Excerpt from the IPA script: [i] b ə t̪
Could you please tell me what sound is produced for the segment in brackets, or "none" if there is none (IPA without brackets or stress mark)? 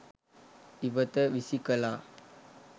i